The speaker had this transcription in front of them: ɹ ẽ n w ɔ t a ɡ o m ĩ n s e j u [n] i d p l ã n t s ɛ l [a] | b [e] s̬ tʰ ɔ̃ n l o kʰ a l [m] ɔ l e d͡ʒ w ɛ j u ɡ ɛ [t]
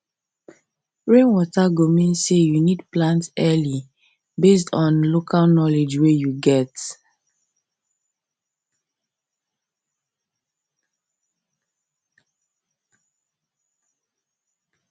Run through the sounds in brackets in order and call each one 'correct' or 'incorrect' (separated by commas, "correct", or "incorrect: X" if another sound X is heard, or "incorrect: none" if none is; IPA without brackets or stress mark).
correct, incorrect: i, correct, incorrect: n, correct